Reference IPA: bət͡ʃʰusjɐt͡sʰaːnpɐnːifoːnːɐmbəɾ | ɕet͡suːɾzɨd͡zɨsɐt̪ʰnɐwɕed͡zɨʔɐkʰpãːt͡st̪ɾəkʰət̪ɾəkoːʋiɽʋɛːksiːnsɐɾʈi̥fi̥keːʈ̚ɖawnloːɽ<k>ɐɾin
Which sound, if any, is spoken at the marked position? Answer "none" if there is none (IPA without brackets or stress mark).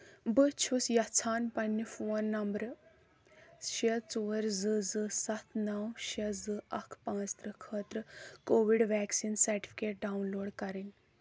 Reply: k